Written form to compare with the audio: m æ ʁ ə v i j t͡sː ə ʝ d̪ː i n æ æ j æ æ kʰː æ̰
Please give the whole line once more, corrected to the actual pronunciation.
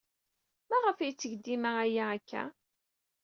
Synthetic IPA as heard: m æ ʁ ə f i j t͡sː ə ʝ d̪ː i m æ æ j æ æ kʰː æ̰